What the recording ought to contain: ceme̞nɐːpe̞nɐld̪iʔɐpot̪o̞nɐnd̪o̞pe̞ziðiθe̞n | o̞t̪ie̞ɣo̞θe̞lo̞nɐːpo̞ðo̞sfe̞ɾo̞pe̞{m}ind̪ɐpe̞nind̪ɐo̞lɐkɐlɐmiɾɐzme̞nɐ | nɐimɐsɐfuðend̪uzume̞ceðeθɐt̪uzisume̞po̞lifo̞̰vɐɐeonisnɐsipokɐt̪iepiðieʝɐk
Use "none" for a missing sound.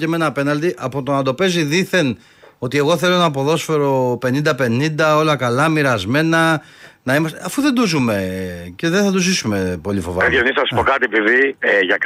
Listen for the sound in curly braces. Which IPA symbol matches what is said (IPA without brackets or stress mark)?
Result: n